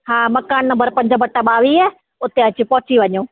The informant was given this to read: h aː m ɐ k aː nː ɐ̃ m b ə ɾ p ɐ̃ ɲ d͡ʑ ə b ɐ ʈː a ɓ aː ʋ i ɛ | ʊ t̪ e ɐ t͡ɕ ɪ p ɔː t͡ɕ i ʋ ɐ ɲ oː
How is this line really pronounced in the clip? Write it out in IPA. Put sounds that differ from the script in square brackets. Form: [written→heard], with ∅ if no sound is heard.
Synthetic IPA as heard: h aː m ɐ k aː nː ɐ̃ m b ə ɾ p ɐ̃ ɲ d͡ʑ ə b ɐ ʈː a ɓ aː ʋ i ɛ | ʊ t̪ e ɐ t͡ɕ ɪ p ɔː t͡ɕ i ʋ ɐ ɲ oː

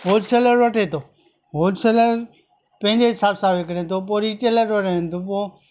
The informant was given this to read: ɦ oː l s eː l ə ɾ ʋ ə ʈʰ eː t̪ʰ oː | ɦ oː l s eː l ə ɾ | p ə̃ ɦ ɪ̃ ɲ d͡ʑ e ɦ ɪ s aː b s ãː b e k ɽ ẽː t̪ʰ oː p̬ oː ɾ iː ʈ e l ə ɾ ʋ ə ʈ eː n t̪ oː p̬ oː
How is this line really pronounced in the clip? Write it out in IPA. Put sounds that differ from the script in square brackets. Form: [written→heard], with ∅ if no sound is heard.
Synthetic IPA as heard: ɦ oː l s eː l ə ɾ ʋ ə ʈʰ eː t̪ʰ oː | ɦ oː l s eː l ə ɾ | p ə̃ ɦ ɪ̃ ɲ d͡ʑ e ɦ ɪ s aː b s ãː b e k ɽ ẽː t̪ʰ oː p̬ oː ɾ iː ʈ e l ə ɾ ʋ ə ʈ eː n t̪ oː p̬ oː

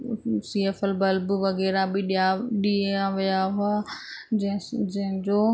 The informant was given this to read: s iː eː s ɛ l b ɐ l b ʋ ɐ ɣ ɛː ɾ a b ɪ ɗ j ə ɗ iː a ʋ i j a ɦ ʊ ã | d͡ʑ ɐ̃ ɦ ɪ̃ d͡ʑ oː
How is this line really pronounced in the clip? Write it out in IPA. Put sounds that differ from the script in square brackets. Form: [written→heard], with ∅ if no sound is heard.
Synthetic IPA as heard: s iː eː [s→f] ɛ l b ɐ l b ʋ ɐ ɣ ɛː ɾ a b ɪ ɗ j [ə→a] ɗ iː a ʋ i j a ɦ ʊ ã | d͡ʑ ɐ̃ ɦ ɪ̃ d͡ʑ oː

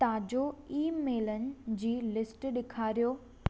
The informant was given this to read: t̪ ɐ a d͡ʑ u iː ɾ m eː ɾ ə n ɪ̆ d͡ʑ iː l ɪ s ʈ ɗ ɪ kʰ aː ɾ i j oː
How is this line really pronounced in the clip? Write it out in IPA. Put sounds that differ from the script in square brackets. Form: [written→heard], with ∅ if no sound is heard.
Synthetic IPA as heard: t̪ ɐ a d͡ʑ [u→o] iː [ɾ→∅] m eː [ɾ→l] ə n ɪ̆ d͡ʑ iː l ɪ s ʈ ɗ ɪ kʰ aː ɾ i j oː

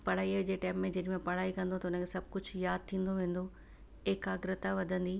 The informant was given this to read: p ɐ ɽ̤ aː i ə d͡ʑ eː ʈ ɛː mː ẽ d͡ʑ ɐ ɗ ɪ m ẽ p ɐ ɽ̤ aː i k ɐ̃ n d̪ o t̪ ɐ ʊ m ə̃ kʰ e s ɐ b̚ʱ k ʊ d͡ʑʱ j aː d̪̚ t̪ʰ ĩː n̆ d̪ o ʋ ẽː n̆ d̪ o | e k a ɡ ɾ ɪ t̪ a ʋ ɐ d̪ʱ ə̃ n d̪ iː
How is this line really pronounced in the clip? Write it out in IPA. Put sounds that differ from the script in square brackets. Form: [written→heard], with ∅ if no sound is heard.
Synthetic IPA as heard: p ɐ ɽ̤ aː i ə d͡ʑ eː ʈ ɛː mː ẽ d͡ʑ ɐ ɗ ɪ m ẽ p ɐ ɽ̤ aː i k ɐ̃ n d̪ o t̪ ɐ ʊ [m→n] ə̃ kʰ e s ɐ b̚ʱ k ʊ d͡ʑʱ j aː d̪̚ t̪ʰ ĩː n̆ d̪ o ʋ ẽː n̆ d̪ o | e k a ɡ ɾ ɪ t̪ a ʋ ɐ d̪ʱ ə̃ n d̪ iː

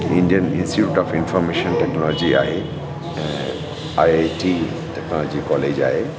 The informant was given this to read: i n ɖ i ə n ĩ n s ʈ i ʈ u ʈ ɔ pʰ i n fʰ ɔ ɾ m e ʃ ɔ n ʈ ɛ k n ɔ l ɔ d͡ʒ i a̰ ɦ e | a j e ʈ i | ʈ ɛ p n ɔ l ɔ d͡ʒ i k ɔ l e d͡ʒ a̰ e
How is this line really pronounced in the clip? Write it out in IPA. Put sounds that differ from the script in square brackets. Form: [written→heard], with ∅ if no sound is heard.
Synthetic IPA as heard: i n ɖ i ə n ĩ n s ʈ i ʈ u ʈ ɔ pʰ i n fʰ ɔ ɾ m e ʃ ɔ n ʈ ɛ k n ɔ l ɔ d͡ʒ i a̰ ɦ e | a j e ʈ i | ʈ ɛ [p→k] n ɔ l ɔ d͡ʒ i k ɔ l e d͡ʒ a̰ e

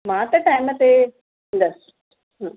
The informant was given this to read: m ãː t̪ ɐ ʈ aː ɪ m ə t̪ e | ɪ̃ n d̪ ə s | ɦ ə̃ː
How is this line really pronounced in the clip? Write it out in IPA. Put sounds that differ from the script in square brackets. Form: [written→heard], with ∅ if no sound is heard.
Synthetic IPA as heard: m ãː t̪ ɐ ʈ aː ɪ m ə t̪ e | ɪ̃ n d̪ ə s | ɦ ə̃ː

